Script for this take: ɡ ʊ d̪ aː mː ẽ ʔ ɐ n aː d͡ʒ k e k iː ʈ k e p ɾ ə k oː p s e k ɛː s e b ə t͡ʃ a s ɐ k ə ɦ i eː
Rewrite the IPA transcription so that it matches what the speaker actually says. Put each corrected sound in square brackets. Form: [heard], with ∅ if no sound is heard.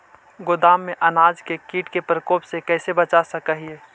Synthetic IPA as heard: ɡ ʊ d̪ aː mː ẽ ʔ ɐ n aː d͡ʒ k e k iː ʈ k e p ɾ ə k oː p s e k ɛː s e b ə t͡ʃ a s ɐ k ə ɦ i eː